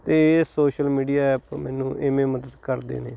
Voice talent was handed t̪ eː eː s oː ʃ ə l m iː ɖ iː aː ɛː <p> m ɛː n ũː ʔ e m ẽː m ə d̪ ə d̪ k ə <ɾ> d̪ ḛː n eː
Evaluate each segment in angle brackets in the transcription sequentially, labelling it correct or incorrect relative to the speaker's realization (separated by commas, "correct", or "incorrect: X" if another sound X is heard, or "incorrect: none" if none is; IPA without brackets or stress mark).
correct, correct